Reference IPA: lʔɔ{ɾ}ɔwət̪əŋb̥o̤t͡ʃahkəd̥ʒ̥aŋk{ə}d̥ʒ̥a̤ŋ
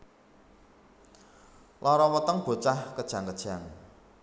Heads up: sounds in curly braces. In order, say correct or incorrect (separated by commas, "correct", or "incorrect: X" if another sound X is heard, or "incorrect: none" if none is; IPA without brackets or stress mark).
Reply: correct, correct